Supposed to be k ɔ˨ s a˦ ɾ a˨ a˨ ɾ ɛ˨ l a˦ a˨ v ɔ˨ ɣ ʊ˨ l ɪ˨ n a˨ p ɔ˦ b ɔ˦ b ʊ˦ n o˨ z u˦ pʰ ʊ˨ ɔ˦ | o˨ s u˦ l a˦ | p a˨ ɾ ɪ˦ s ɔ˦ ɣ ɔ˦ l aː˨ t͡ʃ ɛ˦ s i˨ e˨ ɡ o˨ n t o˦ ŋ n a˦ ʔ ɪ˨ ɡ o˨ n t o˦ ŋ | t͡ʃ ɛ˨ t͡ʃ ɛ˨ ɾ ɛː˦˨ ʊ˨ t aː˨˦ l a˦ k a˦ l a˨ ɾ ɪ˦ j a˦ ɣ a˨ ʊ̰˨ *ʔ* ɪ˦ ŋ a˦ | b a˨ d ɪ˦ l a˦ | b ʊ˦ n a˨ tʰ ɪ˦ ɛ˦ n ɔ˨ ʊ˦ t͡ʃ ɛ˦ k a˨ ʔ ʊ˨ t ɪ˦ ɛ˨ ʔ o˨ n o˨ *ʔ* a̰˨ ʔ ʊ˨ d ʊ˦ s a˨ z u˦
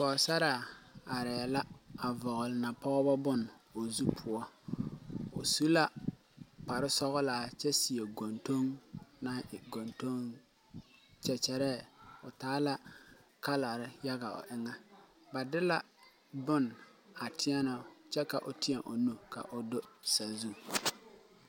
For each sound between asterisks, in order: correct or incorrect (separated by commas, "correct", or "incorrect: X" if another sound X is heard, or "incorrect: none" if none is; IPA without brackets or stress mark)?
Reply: correct, incorrect: k